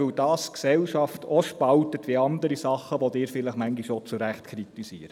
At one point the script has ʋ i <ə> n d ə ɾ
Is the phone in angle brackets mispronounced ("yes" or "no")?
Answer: yes